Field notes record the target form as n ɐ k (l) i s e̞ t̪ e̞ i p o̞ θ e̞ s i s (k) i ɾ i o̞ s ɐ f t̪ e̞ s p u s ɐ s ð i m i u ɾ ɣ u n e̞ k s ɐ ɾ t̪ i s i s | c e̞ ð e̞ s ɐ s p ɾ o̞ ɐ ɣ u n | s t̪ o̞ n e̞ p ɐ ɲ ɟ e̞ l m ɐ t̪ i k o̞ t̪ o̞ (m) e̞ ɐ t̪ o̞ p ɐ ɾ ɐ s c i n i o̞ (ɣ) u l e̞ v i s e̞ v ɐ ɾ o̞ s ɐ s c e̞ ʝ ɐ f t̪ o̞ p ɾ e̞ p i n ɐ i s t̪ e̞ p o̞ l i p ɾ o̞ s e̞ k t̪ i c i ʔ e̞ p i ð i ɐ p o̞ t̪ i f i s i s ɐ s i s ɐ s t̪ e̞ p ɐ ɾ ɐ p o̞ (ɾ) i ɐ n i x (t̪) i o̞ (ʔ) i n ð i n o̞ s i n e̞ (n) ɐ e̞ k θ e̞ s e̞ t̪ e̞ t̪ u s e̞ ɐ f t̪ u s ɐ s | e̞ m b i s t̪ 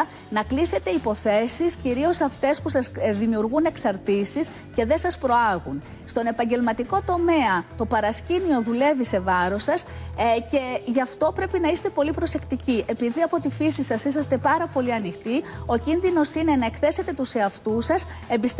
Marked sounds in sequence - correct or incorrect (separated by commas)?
correct, incorrect, correct, incorrect, incorrect, correct, incorrect, correct